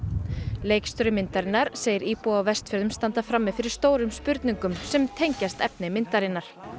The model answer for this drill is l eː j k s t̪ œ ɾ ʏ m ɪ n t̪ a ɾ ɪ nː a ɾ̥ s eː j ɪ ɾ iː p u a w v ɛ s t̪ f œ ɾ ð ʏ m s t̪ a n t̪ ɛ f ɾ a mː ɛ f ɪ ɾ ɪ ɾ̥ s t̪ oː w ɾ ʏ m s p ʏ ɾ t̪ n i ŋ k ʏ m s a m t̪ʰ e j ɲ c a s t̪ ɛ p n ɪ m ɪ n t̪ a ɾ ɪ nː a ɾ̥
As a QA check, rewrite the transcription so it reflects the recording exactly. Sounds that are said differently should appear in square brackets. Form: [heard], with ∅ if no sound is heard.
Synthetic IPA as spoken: l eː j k s t̪ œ ɾ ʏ m ɪ n t̪ a ɾ ɪ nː a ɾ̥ s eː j ɪ ɾ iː p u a w v ɛ s t̪ f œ ɾ ð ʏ m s t̪ a n t̪ [a] f ɾ a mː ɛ f ɪ ɾ ɪ ɾ̥ s t̪ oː w ɾ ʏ m s p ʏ ɾ t̪ n i ŋ k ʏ m s [ɛ] m t̪ʰ e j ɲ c a s t̪ ɛ p n ɪ m ɪ n t̪ a ɾ ɪ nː a ɾ̥